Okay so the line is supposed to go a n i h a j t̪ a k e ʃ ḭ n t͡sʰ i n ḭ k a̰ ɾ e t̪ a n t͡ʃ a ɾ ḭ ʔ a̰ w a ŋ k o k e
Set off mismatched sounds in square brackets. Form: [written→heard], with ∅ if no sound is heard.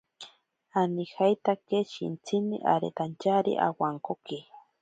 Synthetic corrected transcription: a n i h a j t̪ a k e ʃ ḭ n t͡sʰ i n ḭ [k→ʔ] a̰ ɾ e t̪ a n t͡ʃ a ɾ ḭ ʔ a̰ w a ŋ k o k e